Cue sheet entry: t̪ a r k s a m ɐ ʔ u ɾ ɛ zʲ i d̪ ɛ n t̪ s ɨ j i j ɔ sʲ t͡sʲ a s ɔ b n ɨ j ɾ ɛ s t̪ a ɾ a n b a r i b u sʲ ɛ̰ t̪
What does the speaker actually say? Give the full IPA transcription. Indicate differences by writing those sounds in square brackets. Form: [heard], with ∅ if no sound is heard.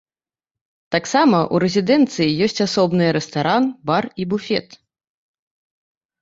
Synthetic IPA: t̪ a [∅] k s a m ɐ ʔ u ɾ ɛ zʲ i d̪ ɛ n t̪ s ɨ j i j ɔ sʲ t͡sʲ a s ɔ b n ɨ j ɾ ɛ s t̪ a ɾ a n b a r i b u [fʲ] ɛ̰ t̪